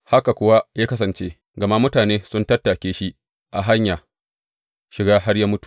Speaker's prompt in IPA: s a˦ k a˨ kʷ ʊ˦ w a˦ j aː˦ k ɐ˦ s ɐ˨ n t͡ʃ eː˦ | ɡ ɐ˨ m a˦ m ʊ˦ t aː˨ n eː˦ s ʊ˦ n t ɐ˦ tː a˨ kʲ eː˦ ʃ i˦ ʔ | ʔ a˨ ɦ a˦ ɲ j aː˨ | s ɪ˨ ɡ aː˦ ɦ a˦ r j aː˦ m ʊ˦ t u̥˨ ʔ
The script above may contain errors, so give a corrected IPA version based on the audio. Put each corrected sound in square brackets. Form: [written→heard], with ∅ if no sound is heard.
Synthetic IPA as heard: [s→h] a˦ k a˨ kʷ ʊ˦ w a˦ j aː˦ k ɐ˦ s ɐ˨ n t͡ʃ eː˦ | ɡ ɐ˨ m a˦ m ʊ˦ t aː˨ n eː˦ s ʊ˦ n t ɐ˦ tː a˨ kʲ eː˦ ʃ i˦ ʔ | ʔ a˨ ɦ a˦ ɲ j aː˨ | [s→ʃ] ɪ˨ ɡ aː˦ ɦ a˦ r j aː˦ m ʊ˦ t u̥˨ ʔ